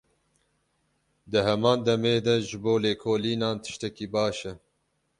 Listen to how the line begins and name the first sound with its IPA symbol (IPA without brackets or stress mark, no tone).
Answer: d̪